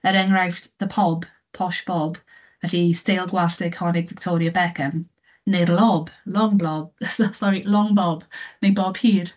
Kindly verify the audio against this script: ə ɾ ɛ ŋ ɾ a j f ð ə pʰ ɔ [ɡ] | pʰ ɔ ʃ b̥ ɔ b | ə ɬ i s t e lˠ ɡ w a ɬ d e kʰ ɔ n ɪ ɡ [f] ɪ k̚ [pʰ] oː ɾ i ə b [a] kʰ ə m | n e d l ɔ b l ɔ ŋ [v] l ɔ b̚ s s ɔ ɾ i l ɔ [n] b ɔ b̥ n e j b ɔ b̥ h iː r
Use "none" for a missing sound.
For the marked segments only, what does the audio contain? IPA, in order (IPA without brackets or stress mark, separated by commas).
b, v, tʰ, ɛ, b, ŋ